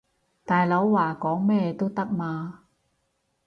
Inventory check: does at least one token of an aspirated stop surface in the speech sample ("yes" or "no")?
no